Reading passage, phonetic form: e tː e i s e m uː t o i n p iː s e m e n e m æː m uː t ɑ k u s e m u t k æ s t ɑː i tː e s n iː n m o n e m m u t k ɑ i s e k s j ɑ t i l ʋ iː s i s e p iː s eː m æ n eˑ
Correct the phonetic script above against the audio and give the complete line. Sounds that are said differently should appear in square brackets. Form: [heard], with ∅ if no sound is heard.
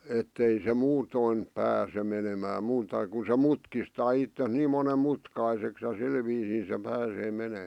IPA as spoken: e tː e i s e m uː t o i n p [æː] s e m e n e m æː m uː t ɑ k u s e m u t k [i] s t ɑː i tː e s n iː [m] m o n e m m u t k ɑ i s e k s j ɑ [s] i l ʋ iː s [iː] s e p [æː] s eː m [e] n eˑ